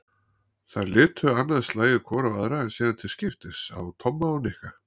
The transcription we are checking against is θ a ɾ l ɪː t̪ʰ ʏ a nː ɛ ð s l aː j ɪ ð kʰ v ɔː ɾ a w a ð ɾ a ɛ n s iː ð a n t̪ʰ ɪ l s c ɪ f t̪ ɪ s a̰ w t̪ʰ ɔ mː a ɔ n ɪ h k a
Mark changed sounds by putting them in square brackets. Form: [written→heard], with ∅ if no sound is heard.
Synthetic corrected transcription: θ a ɾ l ɪː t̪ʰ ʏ a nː [ɛ→a] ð s l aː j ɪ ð kʰ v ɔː ɾ a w a ð ɾ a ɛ n s iː ð a n t̪ʰ ɪ l s c ɪ f t̪ ɪ s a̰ w t̪ʰ ɔ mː a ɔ n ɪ h k a